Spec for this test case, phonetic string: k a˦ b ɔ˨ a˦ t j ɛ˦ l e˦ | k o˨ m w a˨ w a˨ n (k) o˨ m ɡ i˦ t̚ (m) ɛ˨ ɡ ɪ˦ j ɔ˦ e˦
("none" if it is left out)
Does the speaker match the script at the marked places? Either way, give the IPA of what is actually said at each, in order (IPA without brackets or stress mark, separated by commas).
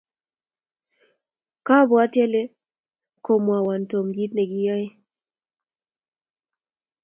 t, n